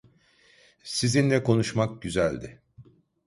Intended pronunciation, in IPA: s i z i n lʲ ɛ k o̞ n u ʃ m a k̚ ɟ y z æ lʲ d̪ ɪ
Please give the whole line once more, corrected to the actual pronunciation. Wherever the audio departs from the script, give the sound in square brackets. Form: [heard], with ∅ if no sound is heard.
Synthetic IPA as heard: s i z i n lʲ ɛ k o̞ n u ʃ m a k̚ ɟ y z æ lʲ d̪ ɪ